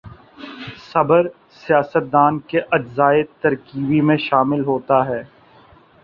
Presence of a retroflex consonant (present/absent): absent